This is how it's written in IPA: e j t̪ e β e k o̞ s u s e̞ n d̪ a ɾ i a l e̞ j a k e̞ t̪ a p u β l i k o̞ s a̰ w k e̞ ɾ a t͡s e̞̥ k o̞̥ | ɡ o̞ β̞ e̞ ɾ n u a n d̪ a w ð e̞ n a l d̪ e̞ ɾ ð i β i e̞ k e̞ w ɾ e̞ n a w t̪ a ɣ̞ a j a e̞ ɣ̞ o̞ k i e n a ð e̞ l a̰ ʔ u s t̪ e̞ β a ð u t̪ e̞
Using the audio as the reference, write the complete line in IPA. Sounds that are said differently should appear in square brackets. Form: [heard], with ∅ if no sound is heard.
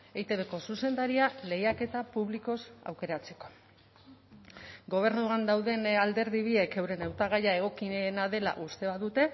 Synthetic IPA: e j t̪ e β e k o̞ s u s e̞ n d̪ a ɾ i a l e̞ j a k e̞ t̪ a p u β l i k o̞ s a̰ w k e̞ ɾ a t͡s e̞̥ k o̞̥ | ɡ o̞ β̞ e̞ ɾ n u a n d̪ a w ð e̞ n a l d̪ e̞ ɾ ð i β i e̞ k e̞ w ɾ e̞ n a w t̪ a ɣ̞ a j a e̞ ɣ̞ o̞ k i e n a ð e̞ l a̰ ʔ u s t̪ e̞ β a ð u t̪ e̞

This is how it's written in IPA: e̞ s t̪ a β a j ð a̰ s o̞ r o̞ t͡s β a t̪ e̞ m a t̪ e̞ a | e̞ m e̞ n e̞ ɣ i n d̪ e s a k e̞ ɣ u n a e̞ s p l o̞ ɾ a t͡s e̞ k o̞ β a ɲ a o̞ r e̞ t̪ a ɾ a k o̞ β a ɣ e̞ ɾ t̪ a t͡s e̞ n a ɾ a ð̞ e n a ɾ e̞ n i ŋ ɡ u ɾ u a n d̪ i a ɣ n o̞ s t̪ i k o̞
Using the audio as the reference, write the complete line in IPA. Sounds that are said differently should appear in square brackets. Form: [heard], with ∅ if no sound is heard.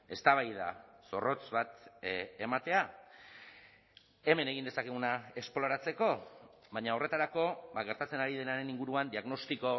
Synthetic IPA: e̞ s t̪ a β a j ð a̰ s o̞ r o̞ t͡s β a t̪ e̞ m a t̪ e̞ a | e̞ m e̞ n e̞ ɣ i n d̪ e s a k e̞ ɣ u n a e̞ s p l o̞ ɾ a t͡s e̞ k o̞ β a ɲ a o̞ r e̞ t̪ a ɾ a k o̞ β a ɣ e̞ ɾ t̪ a t͡s e̞ n a ɾ [i] ð̞ e n a ɾ e̞ n i ŋ ɡ u ɾ u a n d̪ i a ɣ n o̞ s t̪ i k o̞

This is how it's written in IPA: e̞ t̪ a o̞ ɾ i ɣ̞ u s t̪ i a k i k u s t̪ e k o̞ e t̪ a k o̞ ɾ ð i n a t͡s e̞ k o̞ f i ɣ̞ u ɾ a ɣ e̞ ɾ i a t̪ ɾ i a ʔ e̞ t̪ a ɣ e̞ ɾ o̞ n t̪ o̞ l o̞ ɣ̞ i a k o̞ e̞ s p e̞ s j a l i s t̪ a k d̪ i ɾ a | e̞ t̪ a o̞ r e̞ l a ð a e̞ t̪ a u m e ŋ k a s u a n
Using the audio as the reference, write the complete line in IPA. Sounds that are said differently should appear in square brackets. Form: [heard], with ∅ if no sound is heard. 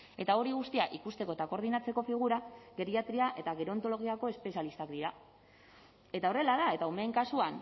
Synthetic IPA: e̞ t̪ a o̞ ɾ i ɣ̞ u s t̪ i a [ʔ] i k u s t̪ e k o̞ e t̪ a k o̞ ɾ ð i n a t͡s e̞ k o̞ f i ɣ̞ u ɾ a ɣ e̞ ɾ i a t̪ ɾ i a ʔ e̞ t̪ a ɣ e̞ ɾ o̞ n t̪ o̞ l o̞ ɣ̞ i a k o̞ e̞ s p e̞ s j a l i s t̪ a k d̪ i ɾ a | e̞ t̪ a o̞ r e̞ l a ð a e̞ t̪ a u m e ŋ k a s u a n

